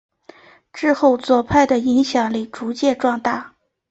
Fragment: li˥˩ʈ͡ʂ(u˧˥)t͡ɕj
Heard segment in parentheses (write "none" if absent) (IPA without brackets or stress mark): u˧˥